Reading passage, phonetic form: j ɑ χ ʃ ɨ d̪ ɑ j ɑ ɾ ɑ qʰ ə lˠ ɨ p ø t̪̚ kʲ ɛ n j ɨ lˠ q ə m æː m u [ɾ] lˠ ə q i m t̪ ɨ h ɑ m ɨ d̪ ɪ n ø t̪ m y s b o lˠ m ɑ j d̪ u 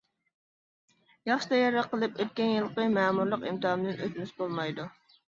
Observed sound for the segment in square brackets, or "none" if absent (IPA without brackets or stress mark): ɾ